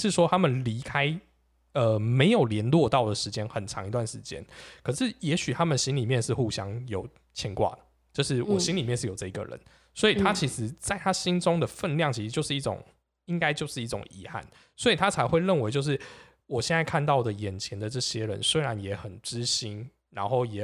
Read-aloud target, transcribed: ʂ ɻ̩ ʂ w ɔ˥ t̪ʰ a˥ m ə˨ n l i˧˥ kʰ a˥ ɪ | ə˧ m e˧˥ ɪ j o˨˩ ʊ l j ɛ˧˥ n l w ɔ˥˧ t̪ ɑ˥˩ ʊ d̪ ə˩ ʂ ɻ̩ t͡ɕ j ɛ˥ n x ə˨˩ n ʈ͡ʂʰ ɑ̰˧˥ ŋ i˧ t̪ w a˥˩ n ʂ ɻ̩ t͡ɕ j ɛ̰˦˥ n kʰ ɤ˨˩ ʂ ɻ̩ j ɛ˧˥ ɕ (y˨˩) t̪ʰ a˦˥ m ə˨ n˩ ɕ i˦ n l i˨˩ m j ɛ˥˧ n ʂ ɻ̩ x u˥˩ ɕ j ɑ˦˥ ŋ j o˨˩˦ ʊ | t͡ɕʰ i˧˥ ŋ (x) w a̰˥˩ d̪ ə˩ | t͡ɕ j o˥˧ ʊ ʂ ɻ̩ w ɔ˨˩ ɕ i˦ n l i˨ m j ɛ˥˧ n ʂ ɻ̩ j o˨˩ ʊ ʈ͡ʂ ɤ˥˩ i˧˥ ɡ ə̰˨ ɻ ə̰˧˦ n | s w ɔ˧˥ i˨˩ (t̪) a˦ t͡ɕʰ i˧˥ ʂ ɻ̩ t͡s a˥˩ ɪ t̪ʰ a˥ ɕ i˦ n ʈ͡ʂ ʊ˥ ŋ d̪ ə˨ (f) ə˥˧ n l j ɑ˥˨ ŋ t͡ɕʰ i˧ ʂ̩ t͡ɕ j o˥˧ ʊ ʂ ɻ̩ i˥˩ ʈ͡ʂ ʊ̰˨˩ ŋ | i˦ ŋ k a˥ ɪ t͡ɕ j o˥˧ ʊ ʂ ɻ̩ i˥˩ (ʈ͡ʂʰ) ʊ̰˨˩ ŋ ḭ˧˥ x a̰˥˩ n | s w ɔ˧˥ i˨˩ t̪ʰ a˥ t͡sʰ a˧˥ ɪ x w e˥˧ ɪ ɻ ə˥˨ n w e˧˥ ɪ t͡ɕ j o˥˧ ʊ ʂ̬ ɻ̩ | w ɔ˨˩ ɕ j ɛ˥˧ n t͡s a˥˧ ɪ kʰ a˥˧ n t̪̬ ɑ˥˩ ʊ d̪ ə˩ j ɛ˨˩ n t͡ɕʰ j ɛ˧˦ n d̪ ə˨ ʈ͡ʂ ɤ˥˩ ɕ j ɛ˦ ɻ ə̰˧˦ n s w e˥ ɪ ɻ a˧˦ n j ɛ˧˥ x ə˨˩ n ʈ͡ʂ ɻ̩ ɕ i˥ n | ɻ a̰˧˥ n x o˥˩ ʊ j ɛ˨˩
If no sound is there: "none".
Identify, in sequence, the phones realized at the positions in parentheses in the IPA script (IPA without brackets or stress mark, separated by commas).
y˨˩, k, t̪ʰ, f, ʈ͡ʂ